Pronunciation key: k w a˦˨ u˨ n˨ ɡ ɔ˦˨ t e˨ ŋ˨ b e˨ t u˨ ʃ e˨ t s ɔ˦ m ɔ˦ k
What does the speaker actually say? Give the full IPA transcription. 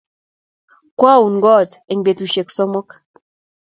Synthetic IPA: k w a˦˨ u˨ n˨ ɡ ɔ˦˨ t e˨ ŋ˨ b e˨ t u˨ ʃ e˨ k s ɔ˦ m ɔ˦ k